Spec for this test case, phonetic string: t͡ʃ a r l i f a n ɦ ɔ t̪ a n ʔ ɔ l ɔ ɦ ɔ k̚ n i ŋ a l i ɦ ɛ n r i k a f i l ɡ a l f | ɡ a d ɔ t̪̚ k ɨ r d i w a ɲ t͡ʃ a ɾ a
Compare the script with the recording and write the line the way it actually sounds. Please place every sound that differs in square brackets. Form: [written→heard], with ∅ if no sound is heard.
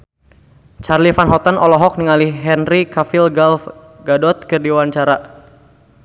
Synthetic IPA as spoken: t͡ʃ a r l i f a n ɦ ɔ t̪ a n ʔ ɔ l ɔ ɦ ɔ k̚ n i ŋ a l i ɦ ɛ n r i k a f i l ɡ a l f | ɡ a d ɔ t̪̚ k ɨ r d i w a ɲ t͡ʃ a ɾ a

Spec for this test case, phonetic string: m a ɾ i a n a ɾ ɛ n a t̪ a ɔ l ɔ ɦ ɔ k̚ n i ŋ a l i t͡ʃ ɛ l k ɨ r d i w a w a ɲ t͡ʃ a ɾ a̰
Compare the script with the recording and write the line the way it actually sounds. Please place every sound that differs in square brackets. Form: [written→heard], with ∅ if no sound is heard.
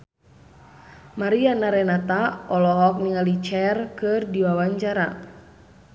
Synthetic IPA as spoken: m a ɾ i a n a ɾ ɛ n a t̪ a ɔ l ɔ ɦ ɔ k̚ n i ŋ a l i t͡ʃ ɛ [l→r] k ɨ r d i w a w a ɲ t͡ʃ a ɾ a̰

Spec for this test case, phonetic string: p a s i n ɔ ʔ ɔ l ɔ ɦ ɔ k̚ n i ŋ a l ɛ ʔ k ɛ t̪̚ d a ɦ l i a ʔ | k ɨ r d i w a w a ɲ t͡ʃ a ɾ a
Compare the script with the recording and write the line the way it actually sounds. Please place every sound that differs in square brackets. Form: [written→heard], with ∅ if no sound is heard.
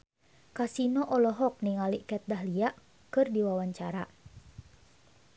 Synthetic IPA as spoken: [p→k] a s i n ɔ ʔ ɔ l ɔ ɦ ɔ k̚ n i ŋ a l [ɛ→i] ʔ k ɛ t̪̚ d a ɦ l i a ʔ | k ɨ r d i w a w a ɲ t͡ʃ a ɾ a

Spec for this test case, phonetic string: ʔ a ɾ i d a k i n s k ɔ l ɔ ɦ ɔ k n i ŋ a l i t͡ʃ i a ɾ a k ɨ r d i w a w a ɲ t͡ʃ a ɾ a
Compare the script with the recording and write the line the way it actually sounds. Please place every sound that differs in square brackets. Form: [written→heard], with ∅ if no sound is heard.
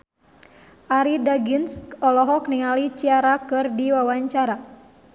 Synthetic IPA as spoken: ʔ a ɾ i d a [k→ɡ] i n s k ɔ l ɔ ɦ ɔ k n i ŋ a l i t͡ʃ i a ɾ a k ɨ r d i w a w a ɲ t͡ʃ a ɾ a

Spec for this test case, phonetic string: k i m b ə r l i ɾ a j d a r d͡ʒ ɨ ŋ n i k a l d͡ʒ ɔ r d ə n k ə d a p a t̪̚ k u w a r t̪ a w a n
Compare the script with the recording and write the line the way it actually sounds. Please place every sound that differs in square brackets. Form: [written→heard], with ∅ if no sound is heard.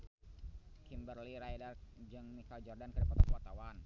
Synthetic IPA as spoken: k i m b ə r l i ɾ a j d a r d͡ʒ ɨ ŋ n i k a l d͡ʒ ɔ r d [ə→a] n k ə d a p a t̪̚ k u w a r t̪ a w a n

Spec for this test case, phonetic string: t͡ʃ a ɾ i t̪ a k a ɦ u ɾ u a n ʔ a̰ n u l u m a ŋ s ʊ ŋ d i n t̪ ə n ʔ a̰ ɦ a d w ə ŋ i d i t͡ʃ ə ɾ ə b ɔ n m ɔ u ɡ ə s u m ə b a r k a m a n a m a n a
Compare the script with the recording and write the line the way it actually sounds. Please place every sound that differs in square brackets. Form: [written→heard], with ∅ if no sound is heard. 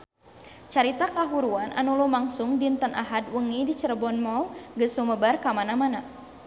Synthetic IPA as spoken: t͡ʃ a ɾ i t̪ a k a ɦ u ɾ u a n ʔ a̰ n u l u m a ŋ s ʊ ŋ d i n t̪ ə n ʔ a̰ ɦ a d w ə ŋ i d i t͡ʃ ə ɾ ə b ɔ n m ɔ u ɡ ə s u m ə b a r k a m a n a m a n a

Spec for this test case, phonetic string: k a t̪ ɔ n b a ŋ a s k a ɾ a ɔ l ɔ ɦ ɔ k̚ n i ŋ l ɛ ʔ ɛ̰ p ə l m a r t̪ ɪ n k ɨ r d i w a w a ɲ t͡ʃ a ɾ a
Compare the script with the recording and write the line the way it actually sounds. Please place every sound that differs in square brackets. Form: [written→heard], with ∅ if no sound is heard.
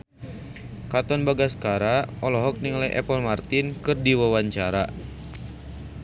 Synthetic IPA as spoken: k a t̪ ɔ n b a [ŋ→ɡ] a s k a ɾ a ɔ l ɔ ɦ ɔ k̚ n i ŋ l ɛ ʔ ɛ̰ p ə l m a r t̪ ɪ n k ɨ r d i w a w a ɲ t͡ʃ a ɾ a

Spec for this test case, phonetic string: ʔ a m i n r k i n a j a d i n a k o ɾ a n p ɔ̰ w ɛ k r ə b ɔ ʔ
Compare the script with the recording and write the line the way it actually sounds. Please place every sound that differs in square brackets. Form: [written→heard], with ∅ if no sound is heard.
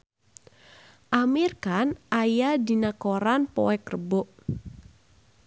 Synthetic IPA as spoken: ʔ a m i [n→∅] r k [i→a] n a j a d i n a k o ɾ a n p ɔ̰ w ɛ k r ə b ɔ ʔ

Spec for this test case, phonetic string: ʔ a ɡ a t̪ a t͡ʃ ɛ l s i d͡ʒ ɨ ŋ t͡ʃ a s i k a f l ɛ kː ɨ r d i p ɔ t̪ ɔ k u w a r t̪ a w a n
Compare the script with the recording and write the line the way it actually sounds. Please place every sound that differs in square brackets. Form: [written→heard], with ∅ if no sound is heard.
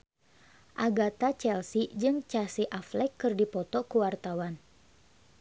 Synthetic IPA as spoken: ʔ a ɡ a t̪ a t͡ʃ ɛ l s i d͡ʒ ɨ ŋ t͡ʃ a s i [k→ʔ] a f l ɛ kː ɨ r d i p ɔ t̪ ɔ k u w a r t̪ a w a n

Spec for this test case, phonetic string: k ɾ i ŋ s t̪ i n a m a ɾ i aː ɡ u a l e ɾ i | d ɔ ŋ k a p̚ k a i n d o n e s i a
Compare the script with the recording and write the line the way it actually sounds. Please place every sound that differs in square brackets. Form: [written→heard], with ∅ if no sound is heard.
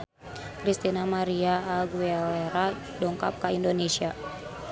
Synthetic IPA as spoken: k ɾ i [ŋ→∅] s t̪ i n a m a ɾ i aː ɡ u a l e ɾ [i→a] | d ɔ ŋ k a p̚ k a i n d o n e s i a

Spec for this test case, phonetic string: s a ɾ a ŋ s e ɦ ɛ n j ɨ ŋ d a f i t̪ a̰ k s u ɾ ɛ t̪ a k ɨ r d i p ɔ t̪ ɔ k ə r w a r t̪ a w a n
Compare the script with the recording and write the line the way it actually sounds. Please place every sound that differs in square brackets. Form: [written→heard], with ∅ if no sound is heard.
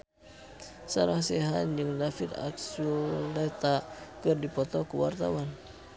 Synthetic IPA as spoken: s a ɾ a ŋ s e ɦ [ɛ→a] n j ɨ ŋ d a f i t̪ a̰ k s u [ɾ→l] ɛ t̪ a k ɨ r d i p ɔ t̪ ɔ k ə [r→∅] w a r t̪ a w a n

